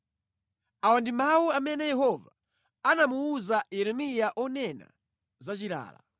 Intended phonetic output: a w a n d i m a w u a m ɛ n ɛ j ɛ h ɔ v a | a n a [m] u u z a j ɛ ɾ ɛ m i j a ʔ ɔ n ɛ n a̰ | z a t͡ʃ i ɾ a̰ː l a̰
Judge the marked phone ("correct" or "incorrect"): correct